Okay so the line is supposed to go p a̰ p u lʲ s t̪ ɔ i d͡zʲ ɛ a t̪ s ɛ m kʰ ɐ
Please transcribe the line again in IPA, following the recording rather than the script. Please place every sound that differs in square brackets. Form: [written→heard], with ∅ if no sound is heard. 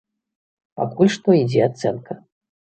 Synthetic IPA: p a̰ [p→k] u lʲ [s→ʂ] t̪ ɔ i d͡zʲ ɛ a t̪ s ɛ [m→n] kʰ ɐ